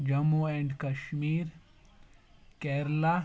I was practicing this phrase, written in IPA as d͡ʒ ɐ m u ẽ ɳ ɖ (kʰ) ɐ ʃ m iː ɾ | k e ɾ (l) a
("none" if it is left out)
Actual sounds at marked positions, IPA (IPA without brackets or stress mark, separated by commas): k, l